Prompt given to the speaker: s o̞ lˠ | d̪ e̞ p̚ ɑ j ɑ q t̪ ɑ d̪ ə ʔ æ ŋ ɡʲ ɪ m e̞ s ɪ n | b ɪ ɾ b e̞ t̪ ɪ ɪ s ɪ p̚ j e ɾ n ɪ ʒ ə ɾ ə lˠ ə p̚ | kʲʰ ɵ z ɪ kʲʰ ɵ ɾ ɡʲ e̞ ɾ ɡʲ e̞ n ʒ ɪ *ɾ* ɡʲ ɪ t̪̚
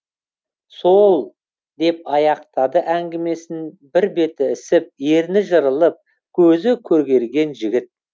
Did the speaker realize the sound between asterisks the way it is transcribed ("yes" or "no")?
no